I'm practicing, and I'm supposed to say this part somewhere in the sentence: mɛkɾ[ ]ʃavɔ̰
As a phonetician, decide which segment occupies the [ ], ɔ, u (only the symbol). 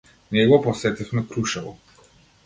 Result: u